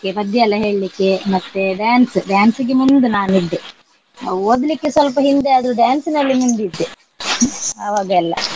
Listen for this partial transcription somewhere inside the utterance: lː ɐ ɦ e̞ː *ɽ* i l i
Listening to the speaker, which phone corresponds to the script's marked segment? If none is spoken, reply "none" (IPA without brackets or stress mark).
ɭ